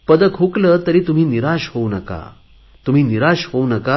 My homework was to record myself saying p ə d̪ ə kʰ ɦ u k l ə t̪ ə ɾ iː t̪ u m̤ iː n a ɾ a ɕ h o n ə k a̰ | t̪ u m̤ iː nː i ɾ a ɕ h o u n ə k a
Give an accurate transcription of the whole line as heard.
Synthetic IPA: p ə d̪ ə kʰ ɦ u k l ə t̪ ə ɾ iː t̪ u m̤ iː n i ɾ a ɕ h o n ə k a̰ | t̪ u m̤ iː n i ɾ a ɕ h o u n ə k a